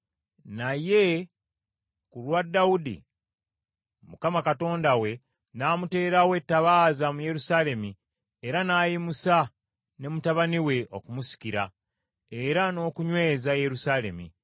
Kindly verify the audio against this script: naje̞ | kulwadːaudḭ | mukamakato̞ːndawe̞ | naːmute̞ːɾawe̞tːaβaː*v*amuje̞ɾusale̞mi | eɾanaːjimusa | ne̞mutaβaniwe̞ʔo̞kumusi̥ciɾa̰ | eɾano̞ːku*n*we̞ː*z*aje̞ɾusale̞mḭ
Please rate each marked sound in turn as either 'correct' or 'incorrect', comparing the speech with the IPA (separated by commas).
incorrect, incorrect, correct